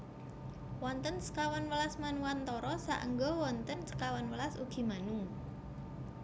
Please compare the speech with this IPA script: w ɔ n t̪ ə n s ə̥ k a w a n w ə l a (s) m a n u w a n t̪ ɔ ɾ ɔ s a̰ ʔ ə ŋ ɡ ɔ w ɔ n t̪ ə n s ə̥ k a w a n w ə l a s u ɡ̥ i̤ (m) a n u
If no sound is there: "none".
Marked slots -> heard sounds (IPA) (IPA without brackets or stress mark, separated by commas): s, m